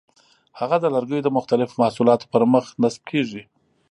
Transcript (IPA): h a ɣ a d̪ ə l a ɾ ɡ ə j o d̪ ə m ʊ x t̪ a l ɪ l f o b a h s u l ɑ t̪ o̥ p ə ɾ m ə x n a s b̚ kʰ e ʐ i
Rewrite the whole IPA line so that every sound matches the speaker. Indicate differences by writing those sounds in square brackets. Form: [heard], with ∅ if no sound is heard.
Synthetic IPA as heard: h a ɣ a d̪ ə l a ɾ ɡ ə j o d̪ ə m ʊ x t̪ a l ɪ [∅] f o [m] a h s u l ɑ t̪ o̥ p ə ɾ m ə x n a s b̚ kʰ e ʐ i